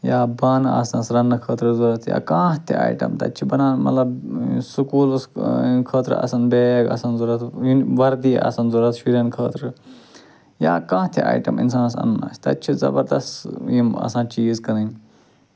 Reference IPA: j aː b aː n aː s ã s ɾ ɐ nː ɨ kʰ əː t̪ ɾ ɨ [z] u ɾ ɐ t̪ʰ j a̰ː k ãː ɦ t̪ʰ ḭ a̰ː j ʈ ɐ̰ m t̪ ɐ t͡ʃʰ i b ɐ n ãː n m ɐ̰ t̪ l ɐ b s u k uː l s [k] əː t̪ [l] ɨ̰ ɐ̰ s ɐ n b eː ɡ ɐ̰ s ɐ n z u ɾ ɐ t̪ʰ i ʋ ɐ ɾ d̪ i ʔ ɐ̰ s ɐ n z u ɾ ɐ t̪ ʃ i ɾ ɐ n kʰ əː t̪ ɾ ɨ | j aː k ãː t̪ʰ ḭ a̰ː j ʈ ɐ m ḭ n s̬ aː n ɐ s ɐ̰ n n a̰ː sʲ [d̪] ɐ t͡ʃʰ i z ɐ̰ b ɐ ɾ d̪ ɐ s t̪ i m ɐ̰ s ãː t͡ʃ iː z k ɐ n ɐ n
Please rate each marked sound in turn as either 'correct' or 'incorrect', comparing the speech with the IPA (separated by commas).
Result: correct, incorrect, incorrect, incorrect